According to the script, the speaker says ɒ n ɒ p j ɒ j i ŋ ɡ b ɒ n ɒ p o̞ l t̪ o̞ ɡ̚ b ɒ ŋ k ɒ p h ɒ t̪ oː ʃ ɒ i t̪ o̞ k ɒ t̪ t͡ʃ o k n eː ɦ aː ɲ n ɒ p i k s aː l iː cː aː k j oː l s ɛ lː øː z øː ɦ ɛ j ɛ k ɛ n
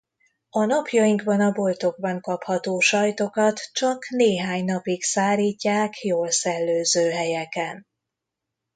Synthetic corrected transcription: ɒ n ɒ p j ɒ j i ŋ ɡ b ɒ n ɒ b o̞ l t̪ o̞ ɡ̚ b ɒ ŋ k ɒ p h ɒ t̪ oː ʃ ɒ j t̪ o̞ k ɒ t̪ t͡ʃ ɒ k n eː ɦ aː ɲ n ɒ p i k s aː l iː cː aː k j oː l s ɛ lː øː z øː ɦ ɛ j ɛ k ɛ n